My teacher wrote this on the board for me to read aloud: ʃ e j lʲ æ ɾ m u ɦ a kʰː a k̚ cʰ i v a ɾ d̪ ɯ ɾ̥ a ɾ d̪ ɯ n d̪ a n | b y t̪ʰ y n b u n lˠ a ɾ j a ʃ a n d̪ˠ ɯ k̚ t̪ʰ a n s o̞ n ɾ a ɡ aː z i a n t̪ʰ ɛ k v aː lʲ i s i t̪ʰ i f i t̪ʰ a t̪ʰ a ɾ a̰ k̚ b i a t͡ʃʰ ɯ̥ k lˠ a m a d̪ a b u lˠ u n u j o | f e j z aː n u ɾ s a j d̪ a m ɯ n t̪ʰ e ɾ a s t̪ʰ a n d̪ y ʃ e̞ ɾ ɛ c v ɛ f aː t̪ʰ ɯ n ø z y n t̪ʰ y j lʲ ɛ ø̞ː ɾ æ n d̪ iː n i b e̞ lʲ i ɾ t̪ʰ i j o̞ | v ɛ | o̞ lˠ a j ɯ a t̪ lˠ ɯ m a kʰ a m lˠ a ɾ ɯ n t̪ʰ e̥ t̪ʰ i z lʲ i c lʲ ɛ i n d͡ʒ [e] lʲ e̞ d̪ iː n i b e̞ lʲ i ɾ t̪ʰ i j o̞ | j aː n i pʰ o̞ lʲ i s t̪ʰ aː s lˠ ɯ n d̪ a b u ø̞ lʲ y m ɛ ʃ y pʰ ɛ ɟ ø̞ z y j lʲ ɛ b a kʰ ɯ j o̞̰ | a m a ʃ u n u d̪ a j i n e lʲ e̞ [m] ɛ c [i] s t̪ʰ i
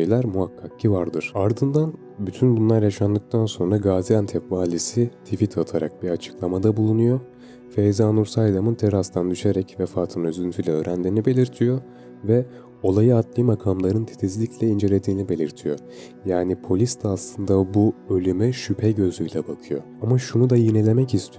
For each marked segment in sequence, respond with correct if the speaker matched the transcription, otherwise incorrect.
correct, correct, correct

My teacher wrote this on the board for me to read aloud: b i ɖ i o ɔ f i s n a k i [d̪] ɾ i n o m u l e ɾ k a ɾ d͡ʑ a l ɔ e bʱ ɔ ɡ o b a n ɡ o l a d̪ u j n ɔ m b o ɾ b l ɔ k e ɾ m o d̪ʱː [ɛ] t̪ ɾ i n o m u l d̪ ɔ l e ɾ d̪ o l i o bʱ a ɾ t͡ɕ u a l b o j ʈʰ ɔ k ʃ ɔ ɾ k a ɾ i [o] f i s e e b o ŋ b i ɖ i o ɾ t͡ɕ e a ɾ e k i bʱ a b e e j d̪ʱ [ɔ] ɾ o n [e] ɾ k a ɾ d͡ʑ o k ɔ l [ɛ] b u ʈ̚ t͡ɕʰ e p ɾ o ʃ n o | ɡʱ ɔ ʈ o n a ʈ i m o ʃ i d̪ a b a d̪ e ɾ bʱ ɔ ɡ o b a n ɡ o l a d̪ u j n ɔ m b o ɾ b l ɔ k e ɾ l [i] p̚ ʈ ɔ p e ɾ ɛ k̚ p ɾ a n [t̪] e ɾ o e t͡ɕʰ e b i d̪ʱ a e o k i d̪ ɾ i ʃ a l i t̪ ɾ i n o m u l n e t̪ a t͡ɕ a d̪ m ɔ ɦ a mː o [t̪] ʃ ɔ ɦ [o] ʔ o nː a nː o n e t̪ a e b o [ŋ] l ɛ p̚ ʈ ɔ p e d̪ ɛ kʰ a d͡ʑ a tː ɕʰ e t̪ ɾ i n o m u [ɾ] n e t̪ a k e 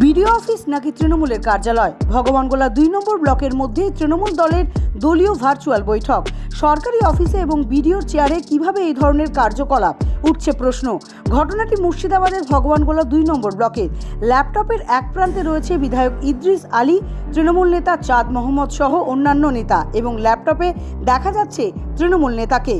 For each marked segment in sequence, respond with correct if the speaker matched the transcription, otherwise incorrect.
incorrect: t̪, incorrect: e, incorrect: ɔ, correct, correct, incorrect: a, incorrect: ɛ, correct, incorrect: d̪, correct, correct, incorrect: l

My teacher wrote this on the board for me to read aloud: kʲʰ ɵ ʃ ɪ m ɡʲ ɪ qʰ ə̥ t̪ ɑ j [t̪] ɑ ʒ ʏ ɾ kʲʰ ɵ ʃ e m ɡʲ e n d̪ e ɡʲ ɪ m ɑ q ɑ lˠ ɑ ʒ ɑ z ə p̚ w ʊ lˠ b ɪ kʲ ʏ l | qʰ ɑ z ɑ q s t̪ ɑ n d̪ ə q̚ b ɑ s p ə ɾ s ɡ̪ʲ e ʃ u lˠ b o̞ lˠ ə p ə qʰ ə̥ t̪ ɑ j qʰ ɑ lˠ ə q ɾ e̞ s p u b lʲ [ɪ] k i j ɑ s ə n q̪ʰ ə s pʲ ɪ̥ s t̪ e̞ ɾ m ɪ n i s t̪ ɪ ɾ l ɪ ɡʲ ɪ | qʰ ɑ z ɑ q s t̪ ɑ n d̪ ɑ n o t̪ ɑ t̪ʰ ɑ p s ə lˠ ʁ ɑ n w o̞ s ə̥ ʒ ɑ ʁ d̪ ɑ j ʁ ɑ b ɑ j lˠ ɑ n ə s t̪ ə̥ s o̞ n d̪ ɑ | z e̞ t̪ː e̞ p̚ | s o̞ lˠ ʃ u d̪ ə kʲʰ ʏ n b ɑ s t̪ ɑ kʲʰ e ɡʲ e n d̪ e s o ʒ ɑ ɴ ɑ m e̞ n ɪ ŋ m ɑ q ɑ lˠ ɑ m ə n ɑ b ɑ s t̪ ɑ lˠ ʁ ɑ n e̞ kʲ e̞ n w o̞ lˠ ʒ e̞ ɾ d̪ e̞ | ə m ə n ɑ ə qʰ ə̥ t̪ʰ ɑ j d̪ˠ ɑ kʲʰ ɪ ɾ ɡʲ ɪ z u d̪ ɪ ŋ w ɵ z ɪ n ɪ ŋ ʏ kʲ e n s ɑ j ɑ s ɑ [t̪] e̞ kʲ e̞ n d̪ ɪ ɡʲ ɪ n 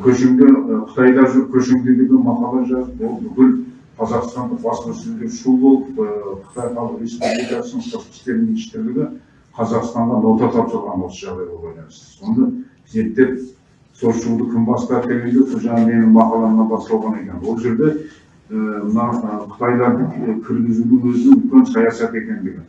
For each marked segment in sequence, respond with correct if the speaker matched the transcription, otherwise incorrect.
incorrect: d̪, incorrect: i, correct

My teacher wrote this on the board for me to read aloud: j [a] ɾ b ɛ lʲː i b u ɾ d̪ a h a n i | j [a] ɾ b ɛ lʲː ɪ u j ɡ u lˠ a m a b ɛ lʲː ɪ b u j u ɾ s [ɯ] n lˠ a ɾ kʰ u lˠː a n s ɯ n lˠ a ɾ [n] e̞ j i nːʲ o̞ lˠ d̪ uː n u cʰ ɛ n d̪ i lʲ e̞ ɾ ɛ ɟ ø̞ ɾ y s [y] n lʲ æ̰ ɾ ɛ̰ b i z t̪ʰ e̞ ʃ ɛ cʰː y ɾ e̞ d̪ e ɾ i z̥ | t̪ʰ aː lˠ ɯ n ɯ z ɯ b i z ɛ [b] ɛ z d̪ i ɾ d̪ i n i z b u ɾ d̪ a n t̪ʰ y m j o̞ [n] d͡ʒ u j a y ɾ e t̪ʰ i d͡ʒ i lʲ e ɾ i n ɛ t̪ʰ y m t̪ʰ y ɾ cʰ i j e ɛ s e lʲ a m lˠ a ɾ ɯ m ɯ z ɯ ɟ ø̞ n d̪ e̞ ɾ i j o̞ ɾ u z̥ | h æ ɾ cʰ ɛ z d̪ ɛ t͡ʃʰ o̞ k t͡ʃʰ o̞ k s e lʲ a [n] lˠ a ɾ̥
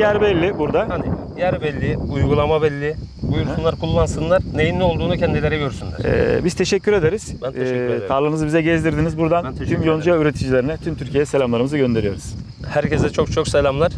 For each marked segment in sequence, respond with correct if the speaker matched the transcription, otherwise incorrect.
incorrect: æ, incorrect: æ, incorrect: u, correct, correct, incorrect: ɟ, correct, incorrect: m

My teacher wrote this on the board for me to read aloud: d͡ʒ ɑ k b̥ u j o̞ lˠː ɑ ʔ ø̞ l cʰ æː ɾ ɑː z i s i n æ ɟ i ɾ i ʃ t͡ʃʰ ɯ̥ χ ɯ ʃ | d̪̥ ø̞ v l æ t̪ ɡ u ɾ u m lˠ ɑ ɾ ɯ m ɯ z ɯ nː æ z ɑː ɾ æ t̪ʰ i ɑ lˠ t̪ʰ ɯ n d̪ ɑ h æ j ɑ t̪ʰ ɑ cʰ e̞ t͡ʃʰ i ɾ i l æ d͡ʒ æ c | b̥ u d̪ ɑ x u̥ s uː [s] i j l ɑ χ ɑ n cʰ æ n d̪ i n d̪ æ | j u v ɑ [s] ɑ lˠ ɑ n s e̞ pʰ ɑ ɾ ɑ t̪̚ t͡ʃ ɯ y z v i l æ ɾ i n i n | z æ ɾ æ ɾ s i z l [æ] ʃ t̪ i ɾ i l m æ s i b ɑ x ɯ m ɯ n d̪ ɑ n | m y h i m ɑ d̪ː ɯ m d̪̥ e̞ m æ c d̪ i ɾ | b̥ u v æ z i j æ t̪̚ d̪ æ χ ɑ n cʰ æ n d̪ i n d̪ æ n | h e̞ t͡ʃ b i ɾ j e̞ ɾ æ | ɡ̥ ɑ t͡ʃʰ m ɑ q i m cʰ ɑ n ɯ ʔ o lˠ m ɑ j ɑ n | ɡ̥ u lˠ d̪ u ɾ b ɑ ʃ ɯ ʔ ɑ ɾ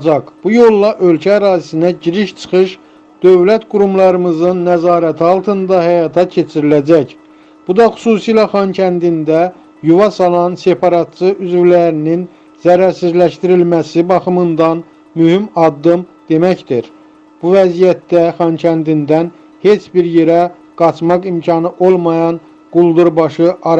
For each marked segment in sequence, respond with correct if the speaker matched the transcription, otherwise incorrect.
correct, correct, correct

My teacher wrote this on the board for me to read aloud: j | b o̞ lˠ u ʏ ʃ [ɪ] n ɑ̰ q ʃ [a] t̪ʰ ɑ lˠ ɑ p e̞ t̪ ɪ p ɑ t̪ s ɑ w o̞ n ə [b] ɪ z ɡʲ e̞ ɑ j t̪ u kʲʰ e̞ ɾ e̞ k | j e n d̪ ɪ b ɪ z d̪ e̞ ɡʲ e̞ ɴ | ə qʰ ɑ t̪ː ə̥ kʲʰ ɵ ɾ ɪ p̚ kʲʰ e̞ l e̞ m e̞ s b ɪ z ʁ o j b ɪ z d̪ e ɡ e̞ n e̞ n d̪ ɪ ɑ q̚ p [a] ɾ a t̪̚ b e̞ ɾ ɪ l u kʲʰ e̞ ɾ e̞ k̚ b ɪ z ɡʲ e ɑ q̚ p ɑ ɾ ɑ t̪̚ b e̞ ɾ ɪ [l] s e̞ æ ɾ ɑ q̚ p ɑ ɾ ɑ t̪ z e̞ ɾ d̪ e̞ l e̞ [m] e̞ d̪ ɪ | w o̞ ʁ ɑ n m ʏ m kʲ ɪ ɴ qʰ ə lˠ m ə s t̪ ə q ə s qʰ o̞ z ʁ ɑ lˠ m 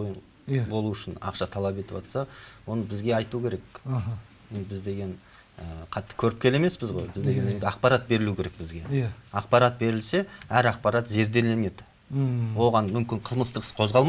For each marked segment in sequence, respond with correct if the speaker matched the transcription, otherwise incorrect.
correct, incorrect: ɑ, correct, incorrect: ɑ, correct, incorrect: n

